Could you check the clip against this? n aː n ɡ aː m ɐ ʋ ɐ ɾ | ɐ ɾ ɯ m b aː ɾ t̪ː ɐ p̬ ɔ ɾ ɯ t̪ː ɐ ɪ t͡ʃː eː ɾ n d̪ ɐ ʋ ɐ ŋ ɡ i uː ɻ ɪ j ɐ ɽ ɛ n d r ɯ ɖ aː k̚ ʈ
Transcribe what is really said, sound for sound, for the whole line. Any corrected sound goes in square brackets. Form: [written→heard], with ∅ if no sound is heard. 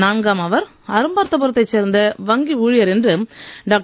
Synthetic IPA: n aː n ɡ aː m ɐ ʋ ɐ ɾ | ɐ ɾ ɯ m b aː ɾ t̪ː ɐ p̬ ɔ ɾ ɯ t̪ː ɐ ɪ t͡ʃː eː ɾ n d̪ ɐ ʋ ɐ ŋ ɡ i uː ɻ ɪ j ɐ [ɽ→ɾ] ɛ n d r ɯ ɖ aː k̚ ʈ